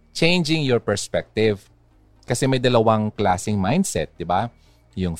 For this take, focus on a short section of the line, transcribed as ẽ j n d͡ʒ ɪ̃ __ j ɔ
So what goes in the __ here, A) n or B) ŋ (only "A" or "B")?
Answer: B